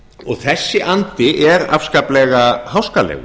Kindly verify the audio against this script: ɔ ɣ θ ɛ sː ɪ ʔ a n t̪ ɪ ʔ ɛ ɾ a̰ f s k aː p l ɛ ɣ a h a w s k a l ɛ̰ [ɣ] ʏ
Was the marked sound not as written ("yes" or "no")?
no